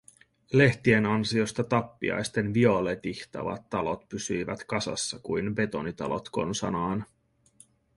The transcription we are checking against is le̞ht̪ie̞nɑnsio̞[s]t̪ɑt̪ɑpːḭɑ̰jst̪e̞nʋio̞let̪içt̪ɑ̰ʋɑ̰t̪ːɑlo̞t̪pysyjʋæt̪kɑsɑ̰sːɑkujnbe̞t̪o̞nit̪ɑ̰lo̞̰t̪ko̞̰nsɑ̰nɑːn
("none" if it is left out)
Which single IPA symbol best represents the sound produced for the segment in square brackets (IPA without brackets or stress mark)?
s